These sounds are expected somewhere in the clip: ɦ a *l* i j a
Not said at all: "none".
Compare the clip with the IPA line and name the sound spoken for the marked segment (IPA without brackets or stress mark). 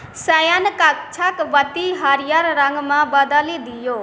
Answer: ɾ